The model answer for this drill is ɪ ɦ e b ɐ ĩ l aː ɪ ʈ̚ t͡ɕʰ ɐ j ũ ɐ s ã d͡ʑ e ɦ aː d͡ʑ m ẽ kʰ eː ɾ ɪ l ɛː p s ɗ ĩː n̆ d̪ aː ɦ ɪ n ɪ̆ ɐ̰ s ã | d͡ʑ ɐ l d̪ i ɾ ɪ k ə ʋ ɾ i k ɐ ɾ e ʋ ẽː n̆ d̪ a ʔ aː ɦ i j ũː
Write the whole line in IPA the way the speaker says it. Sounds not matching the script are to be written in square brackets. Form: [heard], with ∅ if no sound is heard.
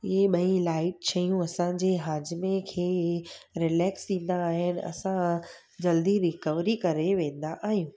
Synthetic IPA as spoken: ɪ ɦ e [ɓ] ɐ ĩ l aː ɪ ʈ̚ t͡ɕʰ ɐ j ũ ɐ s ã d͡ʑ e ɦ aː d͡ʑ m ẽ kʰ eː ɾ ɪ l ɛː [k] s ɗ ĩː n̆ d̪ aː ɦ ɪ n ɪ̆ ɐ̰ s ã | d͡ʑ ɐ l d̪ i ɾ ɪ k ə ʋ ɾ i k ɐ ɾ e ʋ ẽː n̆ d̪ a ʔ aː ɦ i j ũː

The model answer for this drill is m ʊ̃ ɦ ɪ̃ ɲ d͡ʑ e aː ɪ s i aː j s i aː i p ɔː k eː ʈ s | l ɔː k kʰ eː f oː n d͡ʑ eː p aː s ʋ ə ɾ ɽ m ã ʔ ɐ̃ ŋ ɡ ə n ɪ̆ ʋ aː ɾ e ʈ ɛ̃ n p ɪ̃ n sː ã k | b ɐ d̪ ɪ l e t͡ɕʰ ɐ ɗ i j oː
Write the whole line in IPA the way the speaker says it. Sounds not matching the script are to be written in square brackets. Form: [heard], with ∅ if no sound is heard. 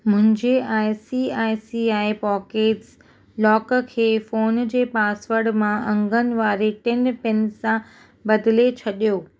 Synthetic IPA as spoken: m ʊ̃ ɦ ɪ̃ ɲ d͡ʑ e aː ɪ s i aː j s i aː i p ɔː k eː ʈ s | l ɔː k kʰ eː f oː n d͡ʑ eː p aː s ʋ ə ɾ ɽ m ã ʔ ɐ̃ ŋ ɡ ə n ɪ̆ ʋ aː ɾ e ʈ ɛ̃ n p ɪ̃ n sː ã [∅] | b ɐ d̪ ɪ l e t͡ɕʰ ɐ ɗ i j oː

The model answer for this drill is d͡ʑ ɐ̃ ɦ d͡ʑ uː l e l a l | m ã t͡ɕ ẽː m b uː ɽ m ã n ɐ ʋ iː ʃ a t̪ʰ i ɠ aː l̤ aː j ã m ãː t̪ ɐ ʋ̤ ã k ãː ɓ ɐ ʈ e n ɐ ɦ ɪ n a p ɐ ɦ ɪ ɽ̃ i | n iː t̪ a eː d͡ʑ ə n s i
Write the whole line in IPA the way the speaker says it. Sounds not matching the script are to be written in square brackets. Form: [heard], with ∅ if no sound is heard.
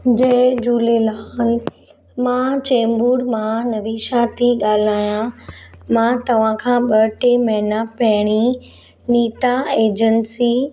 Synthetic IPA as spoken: d͡ʑ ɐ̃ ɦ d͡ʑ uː l e l a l | m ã t͡ɕ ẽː m b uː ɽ m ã n ɐ ʋ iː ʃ a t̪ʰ i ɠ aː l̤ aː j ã m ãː t̪ ɐ ʋ̤ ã [kʰ] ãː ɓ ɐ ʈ e [m] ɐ ɦ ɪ n a p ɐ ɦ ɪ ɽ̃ i | n iː t̪ a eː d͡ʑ ə n s i

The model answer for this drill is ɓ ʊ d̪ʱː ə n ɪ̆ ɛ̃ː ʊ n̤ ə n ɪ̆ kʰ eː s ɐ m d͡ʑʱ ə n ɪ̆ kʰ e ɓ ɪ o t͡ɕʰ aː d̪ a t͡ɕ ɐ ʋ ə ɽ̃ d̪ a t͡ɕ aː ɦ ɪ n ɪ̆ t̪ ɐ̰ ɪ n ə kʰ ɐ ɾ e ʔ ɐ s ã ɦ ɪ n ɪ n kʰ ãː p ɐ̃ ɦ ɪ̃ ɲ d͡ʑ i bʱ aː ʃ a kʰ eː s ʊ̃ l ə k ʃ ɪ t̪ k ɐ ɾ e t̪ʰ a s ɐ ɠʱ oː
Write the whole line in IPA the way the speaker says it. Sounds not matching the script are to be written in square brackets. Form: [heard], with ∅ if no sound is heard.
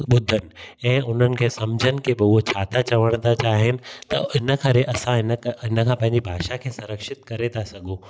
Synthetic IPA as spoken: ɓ ʊ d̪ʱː ə n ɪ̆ ɛ̃ː ʊ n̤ ə n ɪ̆ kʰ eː s ɐ m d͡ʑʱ ə n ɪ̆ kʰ e [b] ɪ o t͡ɕʰ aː [t̪] a t͡ɕ ɐ ʋ ə ɽ̃ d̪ a t͡ɕ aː ɦ ɪ n ɪ̆ t̪ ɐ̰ ɪ n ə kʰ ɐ ɾ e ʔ ɐ s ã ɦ ɪ n ɪ n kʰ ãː p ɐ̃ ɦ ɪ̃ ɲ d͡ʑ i bʱ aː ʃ a kʰ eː s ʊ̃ [ɾ] ə k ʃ ɪ t̪ k ɐ ɾ e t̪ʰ a s ɐ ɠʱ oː

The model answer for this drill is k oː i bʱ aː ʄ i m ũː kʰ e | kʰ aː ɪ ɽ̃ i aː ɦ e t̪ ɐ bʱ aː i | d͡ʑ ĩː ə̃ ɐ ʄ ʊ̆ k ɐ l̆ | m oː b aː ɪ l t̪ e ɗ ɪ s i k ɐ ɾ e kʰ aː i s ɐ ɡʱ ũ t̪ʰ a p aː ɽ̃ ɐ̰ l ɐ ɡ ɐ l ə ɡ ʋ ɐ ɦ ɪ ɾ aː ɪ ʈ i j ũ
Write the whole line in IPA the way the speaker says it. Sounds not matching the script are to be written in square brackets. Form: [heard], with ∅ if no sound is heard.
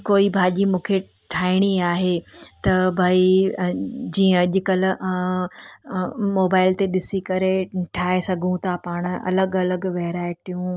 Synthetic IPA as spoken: k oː i bʱ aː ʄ i m ũː kʰ e | [ʈʰ] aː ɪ ɽ̃ i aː ɦ e t̪ ɐ bʱ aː i | d͡ʑ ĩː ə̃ ɐ ʄ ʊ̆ k ɐ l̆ | m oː b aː ɪ l t̪ e ɗ ɪ s i k ɐ ɾ e [ʈʰ] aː [e] s ɐ ɡʱ ũ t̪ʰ a p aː ɽ̃ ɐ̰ l [ə] ɡ ɐ l ə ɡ ʋ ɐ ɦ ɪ ɾ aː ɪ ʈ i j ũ

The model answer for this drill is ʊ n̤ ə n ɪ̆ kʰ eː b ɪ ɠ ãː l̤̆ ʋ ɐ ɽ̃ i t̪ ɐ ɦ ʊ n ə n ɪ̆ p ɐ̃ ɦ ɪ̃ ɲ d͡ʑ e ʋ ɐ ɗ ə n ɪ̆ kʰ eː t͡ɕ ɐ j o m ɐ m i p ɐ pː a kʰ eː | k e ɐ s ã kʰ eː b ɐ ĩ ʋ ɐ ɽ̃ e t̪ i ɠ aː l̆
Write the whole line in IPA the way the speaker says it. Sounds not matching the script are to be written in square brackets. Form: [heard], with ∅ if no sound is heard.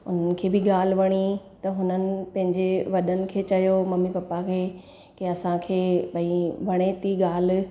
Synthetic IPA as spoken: ʊ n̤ ə n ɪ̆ kʰ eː b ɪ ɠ [aː] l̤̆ ʋ ɐ ɽ̃ i t̪ ɐ ɦ ʊ n ə n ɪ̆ p ɐ̃ ɦ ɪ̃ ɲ d͡ʑ e ʋ ɐ ɗ ə n ɪ̆ kʰ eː t͡ɕ ɐ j o m ɐ m i p ɐ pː a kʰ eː | k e ɐ s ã kʰ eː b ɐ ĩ ʋ ɐ ɽ̃ e t̪ i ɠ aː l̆

